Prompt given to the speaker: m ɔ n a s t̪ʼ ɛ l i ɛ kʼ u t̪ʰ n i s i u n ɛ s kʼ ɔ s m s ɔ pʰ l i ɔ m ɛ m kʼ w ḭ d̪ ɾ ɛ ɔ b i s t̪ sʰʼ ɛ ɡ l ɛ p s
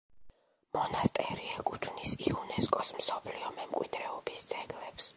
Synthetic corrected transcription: m ɔ n a s t̪ʼ ɛ ɾ i ɛ kʼ u t̪ʰ n i s i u n ɛ s kʼ ɔ s m s ɔ pʰ l i ɔ m ɛ m kʼ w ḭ d̪ ɾ ɛ ɔ b i s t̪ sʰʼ ɛ ɡ l ɛ p s